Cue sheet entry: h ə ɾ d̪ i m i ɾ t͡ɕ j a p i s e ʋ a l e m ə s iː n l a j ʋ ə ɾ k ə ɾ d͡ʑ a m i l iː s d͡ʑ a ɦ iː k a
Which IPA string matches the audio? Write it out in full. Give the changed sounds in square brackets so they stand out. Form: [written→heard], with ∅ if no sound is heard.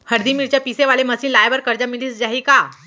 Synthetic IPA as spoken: h ə ɾ d̪ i m i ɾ t͡ɕ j a p i s e ʋ a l e m ə s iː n l a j ʋ ə ɾ k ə ɾ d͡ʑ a m i l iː s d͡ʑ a ɦ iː k a